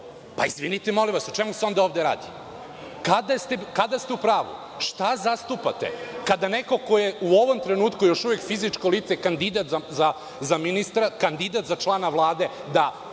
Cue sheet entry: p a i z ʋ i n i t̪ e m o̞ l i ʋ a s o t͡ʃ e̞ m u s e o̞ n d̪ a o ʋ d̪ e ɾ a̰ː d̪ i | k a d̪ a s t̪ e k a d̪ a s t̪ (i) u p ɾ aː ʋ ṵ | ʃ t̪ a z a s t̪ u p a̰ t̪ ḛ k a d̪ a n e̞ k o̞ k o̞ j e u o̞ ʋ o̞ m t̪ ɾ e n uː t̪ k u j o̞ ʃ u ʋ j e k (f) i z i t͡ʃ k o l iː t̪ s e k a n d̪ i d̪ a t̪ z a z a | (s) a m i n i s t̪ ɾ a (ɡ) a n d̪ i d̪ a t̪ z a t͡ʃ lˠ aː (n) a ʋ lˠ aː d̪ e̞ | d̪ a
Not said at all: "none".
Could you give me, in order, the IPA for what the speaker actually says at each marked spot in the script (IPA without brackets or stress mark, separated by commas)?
e, f, z, k, n